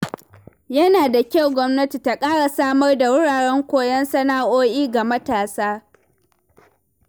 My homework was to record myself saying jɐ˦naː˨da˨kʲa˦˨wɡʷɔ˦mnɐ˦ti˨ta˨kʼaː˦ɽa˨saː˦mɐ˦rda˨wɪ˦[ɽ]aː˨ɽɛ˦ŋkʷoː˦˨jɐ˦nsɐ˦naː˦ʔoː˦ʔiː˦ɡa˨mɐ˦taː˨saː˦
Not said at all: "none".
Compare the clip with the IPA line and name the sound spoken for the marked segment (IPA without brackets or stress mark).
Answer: ɽ